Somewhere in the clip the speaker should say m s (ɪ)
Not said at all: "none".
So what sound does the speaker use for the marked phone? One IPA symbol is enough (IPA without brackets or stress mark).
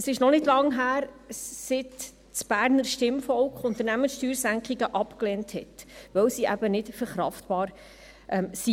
i